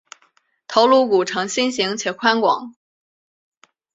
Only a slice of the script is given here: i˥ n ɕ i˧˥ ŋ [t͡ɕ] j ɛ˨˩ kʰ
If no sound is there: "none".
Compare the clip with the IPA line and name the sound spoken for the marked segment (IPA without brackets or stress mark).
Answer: t͡ɕʰ